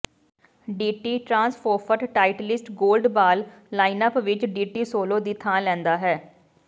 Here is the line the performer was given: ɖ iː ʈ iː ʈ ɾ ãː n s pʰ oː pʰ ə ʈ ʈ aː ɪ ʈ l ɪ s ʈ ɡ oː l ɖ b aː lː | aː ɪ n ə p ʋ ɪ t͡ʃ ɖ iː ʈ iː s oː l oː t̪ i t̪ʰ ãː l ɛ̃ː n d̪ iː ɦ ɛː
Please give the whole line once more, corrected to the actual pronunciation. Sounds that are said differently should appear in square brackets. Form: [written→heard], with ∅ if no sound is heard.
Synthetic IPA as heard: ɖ iː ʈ iː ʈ ɾ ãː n s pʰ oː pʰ ə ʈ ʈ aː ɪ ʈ l ɪ s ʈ ɡ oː l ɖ b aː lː | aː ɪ n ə p ʋ ɪ t͡ʃ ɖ iː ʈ iː s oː l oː [t̪→d̪] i t̪ʰ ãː l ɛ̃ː n d̪ [iː→aː] ɦ ɛː